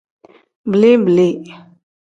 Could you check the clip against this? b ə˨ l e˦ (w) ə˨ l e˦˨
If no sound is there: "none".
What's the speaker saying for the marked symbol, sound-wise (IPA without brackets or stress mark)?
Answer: b